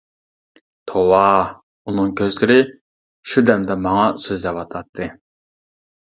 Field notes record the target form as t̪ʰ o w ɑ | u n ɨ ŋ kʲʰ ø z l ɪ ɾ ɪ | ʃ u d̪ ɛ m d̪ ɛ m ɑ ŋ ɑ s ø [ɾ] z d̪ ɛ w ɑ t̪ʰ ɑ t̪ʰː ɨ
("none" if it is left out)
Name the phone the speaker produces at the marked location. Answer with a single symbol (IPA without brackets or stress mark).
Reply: none